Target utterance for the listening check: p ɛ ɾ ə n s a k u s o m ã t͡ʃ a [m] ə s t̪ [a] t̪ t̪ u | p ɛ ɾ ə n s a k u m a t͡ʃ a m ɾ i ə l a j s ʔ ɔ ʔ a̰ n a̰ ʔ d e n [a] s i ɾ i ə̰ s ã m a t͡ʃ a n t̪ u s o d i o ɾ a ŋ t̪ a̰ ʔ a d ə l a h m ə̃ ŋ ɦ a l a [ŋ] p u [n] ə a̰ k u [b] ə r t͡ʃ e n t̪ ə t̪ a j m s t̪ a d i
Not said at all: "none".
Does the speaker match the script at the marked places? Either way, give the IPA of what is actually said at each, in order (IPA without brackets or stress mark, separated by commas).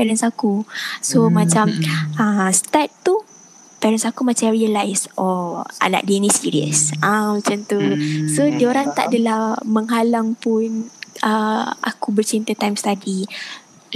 m, a, i, ŋ, n, b